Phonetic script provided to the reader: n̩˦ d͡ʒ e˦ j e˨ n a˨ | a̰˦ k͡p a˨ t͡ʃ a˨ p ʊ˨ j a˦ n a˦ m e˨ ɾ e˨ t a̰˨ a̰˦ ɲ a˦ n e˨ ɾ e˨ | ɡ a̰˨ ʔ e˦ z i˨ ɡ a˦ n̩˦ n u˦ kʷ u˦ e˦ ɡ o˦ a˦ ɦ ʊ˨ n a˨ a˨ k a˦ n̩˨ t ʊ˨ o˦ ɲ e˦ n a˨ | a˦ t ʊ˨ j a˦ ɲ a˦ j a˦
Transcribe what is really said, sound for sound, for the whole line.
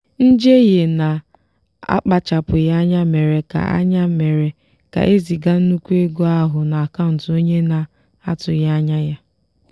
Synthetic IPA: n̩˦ d͡ʒ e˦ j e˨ n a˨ | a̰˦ k͡p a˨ t͡ʃ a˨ p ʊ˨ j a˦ ɲ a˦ m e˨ ɾ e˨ k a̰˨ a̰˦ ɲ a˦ m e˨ ɾ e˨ | k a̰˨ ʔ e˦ z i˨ ɡ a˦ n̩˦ n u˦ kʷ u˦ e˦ ɡ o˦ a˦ ɦ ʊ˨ n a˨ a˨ k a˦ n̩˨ t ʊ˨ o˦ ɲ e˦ n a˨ | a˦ t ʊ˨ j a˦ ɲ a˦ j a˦